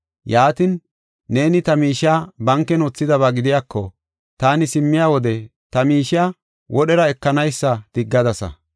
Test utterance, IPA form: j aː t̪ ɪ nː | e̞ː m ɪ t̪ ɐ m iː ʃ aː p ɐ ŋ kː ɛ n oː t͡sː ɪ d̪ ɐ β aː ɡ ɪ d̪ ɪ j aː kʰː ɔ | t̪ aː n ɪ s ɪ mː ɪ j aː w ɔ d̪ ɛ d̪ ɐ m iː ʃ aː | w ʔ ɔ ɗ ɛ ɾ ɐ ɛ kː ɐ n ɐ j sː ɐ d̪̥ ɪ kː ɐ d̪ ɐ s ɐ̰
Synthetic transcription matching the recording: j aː t̪ ɪ nː | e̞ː n ɪ t̪ ɐ m iː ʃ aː b ɐ ŋ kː ɛ n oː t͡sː ɪ d̪ ɐ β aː ɡ ɪ d̪ ɪ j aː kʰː ɔ | t̪ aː n ɪ s ɪ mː ɪ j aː w ɔ d̪ ɛ t̪ ɐ m iː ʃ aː | w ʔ ɔ ɗ ɛ ɾ ɐ ɛ kː ɐ n ɐ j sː ɐ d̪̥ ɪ ɡː ɐ d̪ ɐ s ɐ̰